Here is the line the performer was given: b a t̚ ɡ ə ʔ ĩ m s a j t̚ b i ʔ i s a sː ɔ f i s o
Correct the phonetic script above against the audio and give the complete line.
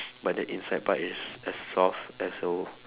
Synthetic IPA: b a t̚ d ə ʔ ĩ n s a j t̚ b a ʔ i s ɛ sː ɔ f ɛ s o